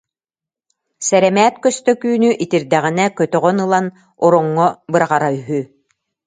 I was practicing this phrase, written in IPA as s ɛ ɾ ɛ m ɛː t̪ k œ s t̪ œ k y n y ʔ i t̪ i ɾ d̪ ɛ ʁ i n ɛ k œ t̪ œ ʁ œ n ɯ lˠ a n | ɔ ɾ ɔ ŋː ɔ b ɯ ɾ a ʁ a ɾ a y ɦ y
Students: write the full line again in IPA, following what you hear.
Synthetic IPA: s ɛ ɾ ɛ m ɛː t̪ k œ s t̪ œ k yː n y ʔ i t̪ i ɾ d̪ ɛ ʁ i n ɛ k œ t̪ œ ʁ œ n ɯ lˠ a n | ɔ ɾ ɔ ŋː ɔ b ɯ ɾ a ʁ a ɾ a y ɦ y

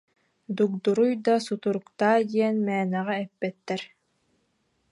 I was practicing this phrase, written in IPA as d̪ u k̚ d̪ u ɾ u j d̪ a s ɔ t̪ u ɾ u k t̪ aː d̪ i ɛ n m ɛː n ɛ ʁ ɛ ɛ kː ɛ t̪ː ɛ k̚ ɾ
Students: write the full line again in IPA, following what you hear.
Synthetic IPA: d̪ u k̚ d̪ u ɾ u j d̪ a s u t̪ u ɾ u k t̪ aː d̪ i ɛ n m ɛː n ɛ ʁ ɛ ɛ pː ɛ t̪ː ɛ ɾ

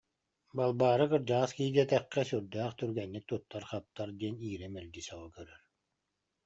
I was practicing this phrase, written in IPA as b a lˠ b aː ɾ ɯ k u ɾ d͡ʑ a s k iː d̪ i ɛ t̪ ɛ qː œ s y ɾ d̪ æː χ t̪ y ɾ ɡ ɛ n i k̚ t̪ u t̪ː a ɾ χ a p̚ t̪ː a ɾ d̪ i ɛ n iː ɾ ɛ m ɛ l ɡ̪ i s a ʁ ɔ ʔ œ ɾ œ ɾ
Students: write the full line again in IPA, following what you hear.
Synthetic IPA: b a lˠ b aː ɾ ɯ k ɯ ɾ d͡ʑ a s k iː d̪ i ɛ t̪ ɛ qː ɛ s y ɾ d̪ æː χ t̪ y ɾ ɡ ɛ nː i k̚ t̪ u t̪ː a ɾ χ a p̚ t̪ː a ɾ d̪ i ɛ n iː ɾ ɛ m ɛ l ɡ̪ i s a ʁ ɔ k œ ɾ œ ɾ

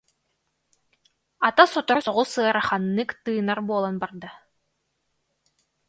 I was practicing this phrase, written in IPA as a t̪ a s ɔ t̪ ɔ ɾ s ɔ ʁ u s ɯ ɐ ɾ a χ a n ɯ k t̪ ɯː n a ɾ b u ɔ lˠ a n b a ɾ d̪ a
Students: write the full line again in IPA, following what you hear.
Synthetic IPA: a t̪ a s ɔ t̪ ɔ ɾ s ɔ ʁ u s ɯ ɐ ɾ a χ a nː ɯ k t̪ ɯː n a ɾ b u ɔ lˠ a n b a ɾ d̪ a

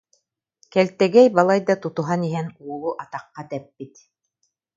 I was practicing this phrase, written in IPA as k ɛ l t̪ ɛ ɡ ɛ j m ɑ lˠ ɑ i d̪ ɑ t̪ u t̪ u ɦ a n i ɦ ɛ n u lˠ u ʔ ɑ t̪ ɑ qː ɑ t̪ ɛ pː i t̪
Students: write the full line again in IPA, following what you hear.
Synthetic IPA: k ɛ l t̪ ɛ ɡ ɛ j b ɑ lˠ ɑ j d̪ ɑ t̪ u t̪ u ɦ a n i ɦ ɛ n u lˠ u ʔ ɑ t̪ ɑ qː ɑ t̪ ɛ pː i t̪

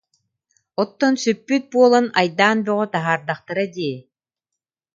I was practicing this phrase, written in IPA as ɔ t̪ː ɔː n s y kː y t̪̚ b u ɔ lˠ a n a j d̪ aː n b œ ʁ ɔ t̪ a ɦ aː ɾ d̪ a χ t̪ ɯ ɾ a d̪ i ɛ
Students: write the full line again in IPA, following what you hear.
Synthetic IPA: ɔ t̪ː ɔ n s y pː y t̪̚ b u ɔ lˠ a n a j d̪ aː n b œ ʁ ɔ t̪ a ɦ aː ɾ d̪ a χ t̪ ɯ ɾ a d̪ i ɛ

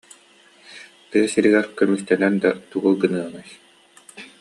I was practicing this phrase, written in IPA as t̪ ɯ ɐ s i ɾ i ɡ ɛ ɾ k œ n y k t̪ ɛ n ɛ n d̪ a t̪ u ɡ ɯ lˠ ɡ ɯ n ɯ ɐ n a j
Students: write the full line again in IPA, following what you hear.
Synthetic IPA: t̪ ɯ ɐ s i ɾ i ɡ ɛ ɾ k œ m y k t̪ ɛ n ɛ n d̪ a t̪ u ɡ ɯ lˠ ɡ ɯ n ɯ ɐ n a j

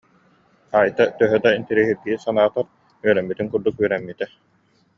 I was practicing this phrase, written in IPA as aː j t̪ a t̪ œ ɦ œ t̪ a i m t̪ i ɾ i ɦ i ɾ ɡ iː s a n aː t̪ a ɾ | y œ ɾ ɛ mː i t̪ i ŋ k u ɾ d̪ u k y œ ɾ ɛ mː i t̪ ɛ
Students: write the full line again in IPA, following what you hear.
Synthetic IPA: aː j t̪ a t̪ œ ɦ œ d̪ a i n t̪ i ɾ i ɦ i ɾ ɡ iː s a n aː t̪ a ɾ | y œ ɾ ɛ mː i t̪ i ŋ k u ɾ d̪ u k y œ ɾ ɛ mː i t̪ ɛ

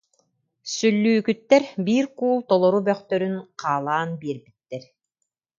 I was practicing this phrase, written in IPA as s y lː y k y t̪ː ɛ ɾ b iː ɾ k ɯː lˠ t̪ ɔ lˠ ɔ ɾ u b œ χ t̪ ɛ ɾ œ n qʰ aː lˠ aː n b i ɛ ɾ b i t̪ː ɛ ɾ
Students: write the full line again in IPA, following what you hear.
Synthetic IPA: s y lː yː k y t̪ː ɛ ɾ b iː ɾ k uː lˠ t̪ ɔ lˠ ɔ ɾ u b œ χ t̪ œ ɾ y n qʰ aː lˠ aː n b i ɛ ɾ b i t̪ː ɛ ɾ

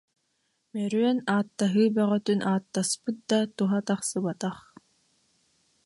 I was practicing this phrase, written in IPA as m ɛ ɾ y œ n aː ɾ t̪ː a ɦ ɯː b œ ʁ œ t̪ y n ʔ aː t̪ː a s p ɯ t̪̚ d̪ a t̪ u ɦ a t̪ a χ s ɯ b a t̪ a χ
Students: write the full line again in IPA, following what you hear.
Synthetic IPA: m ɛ ɾ y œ n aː t̪ː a ɦ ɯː b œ ʁ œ t̪ y n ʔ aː t̪ː a s p ɯ t̪̚ d̪ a t̪ u ɦ a t̪ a χ s ɯ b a t̪ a χ

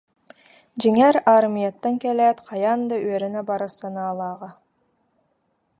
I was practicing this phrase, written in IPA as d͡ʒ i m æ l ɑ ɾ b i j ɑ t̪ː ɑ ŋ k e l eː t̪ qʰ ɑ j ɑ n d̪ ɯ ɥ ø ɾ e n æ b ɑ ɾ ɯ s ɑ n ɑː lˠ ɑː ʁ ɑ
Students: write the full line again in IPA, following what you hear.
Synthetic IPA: d͡ʒ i ŋ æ ɾ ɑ ɾ m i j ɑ t̪ː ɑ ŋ k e l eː t̪ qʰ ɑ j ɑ n d̪ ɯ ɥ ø ɾ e n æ b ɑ ɾ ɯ s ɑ n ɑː lˠ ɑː ʁ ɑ

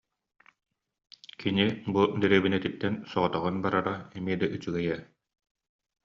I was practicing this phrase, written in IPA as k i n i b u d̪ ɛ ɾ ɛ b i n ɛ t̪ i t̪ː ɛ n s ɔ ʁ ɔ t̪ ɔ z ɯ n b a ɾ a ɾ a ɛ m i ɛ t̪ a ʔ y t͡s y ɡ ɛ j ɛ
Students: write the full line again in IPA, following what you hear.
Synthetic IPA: k i n i b u d̪ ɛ ɾ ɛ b i n ɛ t̪ i t̪ː ɛ n s ɔ ʁ ɔ t̪ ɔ ʁ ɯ n b a ɾ a ɾ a ɛ m i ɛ d̪ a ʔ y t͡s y ɡ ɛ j ɛ

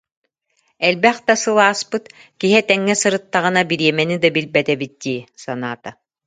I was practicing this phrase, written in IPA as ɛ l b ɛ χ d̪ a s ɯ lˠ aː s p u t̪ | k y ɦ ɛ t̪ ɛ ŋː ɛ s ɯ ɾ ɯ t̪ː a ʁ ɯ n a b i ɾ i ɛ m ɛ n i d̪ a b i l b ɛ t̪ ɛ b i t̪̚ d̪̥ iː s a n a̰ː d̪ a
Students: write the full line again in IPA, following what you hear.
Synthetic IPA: ɛ l b ɛ χ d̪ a s ɯ lˠ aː s p ɯ t̪ | k i ɦ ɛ t̪ ɛ ŋː ɛ s ɯ ɾ ɯ t̪ː a ʁ ɯ n a b i ɾ i ɛ m ɛ n i d̪ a b i l b ɛ t̪ ɛ b i t̪̚ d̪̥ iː s a n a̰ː t̪ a

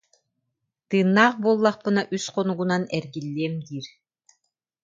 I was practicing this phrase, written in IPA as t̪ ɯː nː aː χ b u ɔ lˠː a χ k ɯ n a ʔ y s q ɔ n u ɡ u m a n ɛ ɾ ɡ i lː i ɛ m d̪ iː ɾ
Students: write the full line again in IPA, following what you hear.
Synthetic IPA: t̪ ɯː nː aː χ b u ɔ lˠː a χ p ɯ n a ʔ y s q ɔ n u ɡ u n a n ɛ ɾ ɡ i lː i ɛ m d̪ iː ɾ

